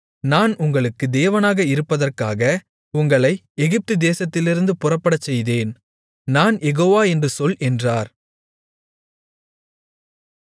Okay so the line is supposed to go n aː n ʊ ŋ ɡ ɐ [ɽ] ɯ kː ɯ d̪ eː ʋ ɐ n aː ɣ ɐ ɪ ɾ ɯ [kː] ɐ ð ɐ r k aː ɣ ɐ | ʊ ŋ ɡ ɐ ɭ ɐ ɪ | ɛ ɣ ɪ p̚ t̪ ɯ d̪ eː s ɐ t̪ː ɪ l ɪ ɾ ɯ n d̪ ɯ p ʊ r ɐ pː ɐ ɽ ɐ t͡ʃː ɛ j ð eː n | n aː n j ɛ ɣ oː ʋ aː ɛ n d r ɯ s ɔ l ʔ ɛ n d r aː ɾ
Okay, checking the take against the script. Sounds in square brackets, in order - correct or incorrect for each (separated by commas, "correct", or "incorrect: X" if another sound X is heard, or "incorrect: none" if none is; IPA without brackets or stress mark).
incorrect: ɭ, incorrect: pː